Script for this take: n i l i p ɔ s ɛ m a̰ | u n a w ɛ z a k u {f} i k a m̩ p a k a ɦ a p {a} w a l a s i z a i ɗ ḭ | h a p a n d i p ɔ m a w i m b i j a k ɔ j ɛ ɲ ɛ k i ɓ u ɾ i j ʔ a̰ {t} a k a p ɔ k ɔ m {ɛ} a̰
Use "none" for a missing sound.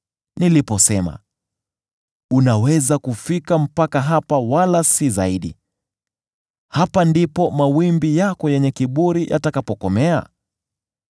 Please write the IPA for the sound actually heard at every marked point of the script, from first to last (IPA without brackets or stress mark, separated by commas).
f, a, t, ɛ